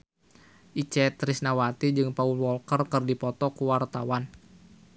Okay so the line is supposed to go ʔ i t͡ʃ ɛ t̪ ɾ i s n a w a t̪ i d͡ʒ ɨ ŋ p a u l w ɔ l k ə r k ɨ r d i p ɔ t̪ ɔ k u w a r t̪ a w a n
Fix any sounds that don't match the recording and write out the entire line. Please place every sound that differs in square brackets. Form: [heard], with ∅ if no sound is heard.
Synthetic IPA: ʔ i t͡ʃ ɛ t̪ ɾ i s n a w a t̪ i d͡ʒ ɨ ŋ p a u l w ɔ l k ə r k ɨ r d i p ɔ t̪ ɔ k u w a r t̪ a w a n